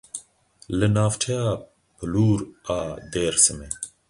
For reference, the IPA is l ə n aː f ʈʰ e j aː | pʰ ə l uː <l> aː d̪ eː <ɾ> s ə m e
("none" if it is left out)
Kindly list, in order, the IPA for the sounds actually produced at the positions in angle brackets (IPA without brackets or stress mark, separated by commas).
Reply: ɾ, ɾ